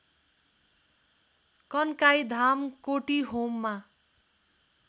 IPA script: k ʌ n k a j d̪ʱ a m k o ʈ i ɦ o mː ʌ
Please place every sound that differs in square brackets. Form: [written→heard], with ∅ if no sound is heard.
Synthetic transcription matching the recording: k ʌ n k a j d̪ʱ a m k o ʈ i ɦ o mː [ʌ→a]